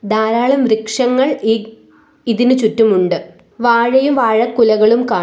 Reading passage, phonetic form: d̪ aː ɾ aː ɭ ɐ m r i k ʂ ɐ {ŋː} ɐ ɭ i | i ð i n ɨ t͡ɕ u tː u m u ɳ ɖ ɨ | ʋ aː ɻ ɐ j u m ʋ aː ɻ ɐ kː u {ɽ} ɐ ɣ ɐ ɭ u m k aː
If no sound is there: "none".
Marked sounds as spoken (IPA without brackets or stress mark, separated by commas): ŋː, l